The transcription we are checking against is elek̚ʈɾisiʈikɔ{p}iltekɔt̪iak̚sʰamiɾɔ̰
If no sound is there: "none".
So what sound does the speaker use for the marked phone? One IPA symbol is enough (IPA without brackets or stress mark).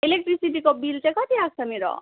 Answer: b